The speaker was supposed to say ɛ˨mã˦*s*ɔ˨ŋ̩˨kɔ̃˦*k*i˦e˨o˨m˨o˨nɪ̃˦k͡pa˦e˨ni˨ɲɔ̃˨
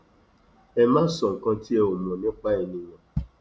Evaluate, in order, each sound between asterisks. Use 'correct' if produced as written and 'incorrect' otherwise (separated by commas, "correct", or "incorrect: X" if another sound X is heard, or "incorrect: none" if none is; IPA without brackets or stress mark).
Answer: correct, incorrect: t